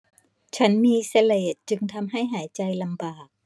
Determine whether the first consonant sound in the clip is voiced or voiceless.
voiceless